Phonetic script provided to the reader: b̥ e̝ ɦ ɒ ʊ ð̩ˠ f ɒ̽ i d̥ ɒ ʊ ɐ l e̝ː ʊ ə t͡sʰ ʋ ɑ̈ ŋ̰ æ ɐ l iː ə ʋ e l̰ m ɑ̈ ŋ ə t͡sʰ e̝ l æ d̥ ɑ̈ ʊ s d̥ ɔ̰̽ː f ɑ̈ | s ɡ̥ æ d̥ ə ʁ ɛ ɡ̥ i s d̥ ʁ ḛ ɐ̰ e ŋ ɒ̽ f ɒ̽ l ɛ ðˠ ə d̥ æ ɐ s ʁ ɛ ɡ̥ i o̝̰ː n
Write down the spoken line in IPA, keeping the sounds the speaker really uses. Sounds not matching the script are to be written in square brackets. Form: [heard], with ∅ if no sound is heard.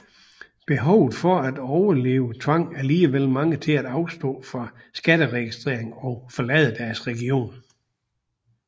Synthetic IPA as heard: b̥ e̝ ɦ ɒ ʊ ð̩ˠ f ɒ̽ [æ] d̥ ɒ ʊ ɐ l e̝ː ʊ ə t͡sʰ ʋ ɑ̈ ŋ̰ æ ɐ l iː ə ʋ e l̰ m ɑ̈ ŋ ə t͡sʰ e̝ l æ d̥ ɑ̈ ʊ s d̥ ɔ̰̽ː f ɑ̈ | s ɡ̥ æ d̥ ə ʁ ɛ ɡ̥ i s d̥ ʁ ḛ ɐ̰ e ŋ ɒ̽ f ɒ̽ l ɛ ðˠ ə d̥ æ ɐ s ʁ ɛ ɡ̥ i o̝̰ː n

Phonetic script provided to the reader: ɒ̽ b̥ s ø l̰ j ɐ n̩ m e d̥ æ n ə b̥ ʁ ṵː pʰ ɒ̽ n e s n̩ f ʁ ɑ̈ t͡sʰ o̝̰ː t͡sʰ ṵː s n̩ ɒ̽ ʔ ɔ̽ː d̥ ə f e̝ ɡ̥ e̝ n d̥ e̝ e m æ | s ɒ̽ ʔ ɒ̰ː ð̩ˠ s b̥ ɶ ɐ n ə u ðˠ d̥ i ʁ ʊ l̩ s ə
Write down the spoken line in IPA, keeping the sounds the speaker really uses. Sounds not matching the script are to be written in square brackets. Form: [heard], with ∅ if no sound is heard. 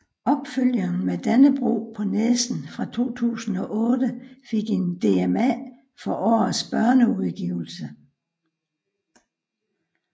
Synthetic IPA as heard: ɒ̽ b̥ [f] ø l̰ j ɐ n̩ m e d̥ æ n ə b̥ ʁ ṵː pʰ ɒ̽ n e s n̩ f ʁ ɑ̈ t͡sʰ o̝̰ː t͡sʰ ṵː s n̩ ɒ̽ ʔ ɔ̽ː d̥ ə f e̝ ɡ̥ e̝ n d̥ e̝ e m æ | [f] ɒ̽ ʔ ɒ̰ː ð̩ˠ s b̥ ɶ ɐ n ə u ðˠ [ɡ̥] i [∅] ʊ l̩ s ə

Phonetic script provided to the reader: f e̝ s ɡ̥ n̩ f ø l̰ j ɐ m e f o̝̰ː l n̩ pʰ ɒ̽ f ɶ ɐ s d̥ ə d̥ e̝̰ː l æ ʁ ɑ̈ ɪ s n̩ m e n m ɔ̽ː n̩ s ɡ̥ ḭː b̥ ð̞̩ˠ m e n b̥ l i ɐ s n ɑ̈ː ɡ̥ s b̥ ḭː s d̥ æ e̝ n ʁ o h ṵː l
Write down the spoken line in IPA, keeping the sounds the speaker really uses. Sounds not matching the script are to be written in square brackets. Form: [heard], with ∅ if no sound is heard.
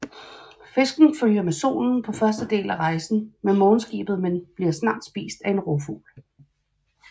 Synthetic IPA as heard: f e̝ s ɡ̥ n̩ f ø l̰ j ɐ m e [s] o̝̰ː l n̩ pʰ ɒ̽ f ɶ ɐ s d̥ ə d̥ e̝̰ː l æ ʁ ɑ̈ ɪ s n̩ m e n m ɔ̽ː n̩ s ɡ̥ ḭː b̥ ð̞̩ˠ m e n b̥ l i ɐ s n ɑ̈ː [d̥] s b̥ ḭː s d̥ æ e̝ n ʁ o [f] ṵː l

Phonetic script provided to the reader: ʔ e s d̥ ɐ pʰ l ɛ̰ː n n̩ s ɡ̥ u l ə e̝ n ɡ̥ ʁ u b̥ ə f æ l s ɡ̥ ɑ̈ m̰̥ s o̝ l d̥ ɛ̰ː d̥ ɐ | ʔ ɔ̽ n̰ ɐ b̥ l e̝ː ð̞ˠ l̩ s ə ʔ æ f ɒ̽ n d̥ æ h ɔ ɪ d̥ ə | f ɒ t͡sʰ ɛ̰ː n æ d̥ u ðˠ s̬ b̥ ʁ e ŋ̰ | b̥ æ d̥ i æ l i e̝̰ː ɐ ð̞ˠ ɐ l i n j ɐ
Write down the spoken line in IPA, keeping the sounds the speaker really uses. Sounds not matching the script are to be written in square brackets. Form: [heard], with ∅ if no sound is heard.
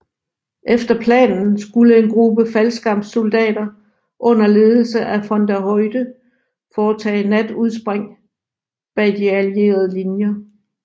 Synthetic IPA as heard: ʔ e [f] d̥ ɐ pʰ l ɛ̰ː n n̩ s ɡ̥ u l ə e̝ n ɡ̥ ʁ u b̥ ə f æ l s ɡ̥ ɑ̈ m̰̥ s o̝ l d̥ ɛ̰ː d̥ ɐ | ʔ ɔ̽ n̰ ɐ [∅] l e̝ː ð̞ˠ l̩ s ə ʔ æ f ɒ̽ n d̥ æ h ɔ ɪ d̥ ə | f [ɒː] t͡sʰ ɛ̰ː n æ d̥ u ðˠ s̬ b̥ ʁ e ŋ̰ | b̥ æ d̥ i æ l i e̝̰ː ɐ ð̞ˠ [ə] l i n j ɐ

